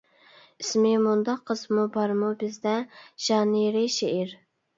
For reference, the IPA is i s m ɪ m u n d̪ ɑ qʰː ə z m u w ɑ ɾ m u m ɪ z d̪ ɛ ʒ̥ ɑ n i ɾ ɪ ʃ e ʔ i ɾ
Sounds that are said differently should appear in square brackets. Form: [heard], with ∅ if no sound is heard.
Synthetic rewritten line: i s m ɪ m u n d̪ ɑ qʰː ə z m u [b] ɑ ɾ m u [b] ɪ z d̪ ɛ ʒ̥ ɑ n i ɾ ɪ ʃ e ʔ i ɾ